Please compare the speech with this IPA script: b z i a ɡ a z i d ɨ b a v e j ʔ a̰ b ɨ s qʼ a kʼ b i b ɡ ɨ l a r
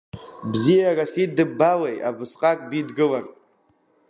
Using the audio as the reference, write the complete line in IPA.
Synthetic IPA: b z i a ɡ a s i d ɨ b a w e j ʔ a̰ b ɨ s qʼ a kʼ b i d ɡ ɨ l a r

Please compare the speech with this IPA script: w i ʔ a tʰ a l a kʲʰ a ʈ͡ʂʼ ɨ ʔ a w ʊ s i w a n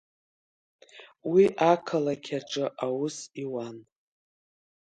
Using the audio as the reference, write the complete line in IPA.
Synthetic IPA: w i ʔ a kʰ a l a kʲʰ a ʈ͡ʂʼ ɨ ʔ a w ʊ s i w a n

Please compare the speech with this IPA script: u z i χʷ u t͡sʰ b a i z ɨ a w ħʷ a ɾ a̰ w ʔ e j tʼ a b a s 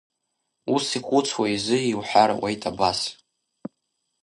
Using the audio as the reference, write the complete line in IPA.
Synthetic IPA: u s i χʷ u t͡sʰ w a i z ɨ i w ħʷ a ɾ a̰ w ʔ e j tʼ a b a s

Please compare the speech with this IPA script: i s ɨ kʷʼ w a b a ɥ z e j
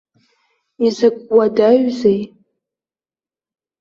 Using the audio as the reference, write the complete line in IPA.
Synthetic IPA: i z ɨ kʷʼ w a d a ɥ z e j

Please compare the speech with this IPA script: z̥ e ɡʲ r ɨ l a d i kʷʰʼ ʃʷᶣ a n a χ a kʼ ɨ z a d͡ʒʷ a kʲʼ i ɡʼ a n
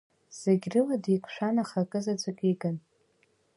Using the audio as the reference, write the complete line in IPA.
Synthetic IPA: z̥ e ɡʲ r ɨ l a d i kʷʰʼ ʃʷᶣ a n a χ a kʼ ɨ z a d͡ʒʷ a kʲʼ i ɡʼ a n

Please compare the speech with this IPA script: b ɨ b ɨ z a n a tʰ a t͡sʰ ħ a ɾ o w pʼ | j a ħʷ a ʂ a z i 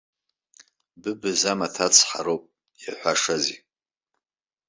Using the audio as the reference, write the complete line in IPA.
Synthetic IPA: b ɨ b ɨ z a m a tʰ a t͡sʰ ħ a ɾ o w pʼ | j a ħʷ a ʂ a z i

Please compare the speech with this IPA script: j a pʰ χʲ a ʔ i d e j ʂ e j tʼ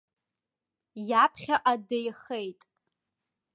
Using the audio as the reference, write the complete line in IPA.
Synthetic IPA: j a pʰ χʲ a ʔ a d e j χ e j tʼ

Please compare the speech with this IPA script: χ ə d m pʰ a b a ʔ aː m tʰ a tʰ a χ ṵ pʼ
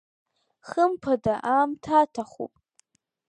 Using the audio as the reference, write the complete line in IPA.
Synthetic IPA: χ ə m pʰ a d a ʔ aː m tʰ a tʰ a χ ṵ pʼ

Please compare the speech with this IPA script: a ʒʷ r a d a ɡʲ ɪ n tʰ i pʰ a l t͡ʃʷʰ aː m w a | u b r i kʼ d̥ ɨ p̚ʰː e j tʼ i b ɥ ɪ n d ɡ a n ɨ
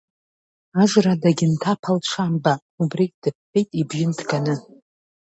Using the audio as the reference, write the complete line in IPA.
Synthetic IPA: a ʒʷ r a d a ɡʲ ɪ n tʰ a pʰ a l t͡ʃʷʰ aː m b a | u b r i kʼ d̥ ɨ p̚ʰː e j tʼ i b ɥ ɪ n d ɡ a n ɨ

